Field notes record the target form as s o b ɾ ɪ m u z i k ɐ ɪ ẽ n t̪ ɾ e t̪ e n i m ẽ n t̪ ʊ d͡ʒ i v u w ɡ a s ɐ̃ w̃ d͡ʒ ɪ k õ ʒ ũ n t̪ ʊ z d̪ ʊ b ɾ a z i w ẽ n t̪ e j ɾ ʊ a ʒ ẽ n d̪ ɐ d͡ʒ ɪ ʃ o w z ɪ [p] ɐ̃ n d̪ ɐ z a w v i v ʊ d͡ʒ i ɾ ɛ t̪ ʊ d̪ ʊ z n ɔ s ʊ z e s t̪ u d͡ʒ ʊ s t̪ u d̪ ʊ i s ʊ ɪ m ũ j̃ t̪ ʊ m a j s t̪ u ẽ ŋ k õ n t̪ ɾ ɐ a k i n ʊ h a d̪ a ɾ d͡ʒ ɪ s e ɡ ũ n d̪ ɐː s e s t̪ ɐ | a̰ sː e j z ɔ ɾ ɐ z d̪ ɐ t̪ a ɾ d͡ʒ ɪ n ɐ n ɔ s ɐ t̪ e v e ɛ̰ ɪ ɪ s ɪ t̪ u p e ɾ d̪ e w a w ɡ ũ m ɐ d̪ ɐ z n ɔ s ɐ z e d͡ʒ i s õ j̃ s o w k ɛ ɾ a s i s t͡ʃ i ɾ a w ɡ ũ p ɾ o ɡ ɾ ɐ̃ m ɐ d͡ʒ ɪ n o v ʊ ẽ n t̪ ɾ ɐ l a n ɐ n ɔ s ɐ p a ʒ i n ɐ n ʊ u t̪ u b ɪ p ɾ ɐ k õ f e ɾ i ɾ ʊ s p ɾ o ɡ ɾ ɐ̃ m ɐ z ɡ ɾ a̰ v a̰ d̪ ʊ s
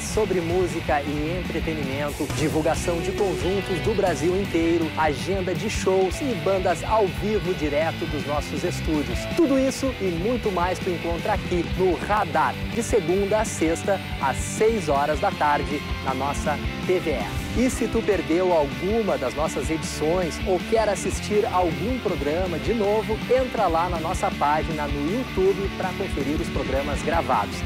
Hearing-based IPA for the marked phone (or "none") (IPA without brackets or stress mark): b